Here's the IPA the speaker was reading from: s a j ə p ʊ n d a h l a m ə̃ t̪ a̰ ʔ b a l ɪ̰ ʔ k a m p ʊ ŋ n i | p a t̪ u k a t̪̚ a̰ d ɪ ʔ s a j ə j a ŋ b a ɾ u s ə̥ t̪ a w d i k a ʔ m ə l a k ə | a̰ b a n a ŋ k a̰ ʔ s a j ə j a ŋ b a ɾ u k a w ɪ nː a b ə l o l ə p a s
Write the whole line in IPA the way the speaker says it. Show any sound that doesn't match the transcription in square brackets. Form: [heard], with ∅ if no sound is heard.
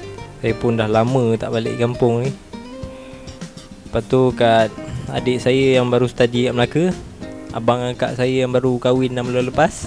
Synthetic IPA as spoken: s a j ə p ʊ n d a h l a m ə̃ t̪ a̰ ʔ b a l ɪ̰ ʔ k a m p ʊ ŋ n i | p a t̪ u k a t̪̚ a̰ d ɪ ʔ s a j ə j a ŋ b a ɾ u s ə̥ t̪ a [∅] d i k a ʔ m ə l a k ə | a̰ b a [ŋ] a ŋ k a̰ ʔ s a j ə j a ŋ b a ɾ u k a w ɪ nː a [m] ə l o l ə p a s

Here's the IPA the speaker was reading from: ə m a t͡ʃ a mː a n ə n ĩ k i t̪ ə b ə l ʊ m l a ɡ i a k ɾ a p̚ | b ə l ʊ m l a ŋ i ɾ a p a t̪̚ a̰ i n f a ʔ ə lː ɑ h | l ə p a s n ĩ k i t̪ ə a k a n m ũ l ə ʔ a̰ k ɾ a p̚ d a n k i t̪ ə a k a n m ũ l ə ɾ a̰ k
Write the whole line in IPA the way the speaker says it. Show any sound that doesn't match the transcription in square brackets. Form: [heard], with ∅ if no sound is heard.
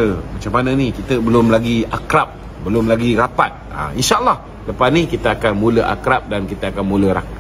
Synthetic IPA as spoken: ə m a t͡ʃ a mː a n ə n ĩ k i t̪ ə b ə l ʊ m l a ɡ i a k ɾ a p̚ | b ə l ʊ m l a [ɡ] i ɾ a p a t̪̚ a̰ i n [ʃ] a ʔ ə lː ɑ h | l ə p a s n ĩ k i t̪ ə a k a n m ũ l ə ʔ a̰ k ɾ a p̚ d a n k i t̪ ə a k a n m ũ l ə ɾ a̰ k

